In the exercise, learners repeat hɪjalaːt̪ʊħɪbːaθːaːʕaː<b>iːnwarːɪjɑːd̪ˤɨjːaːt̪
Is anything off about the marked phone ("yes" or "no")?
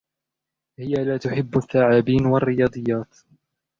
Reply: no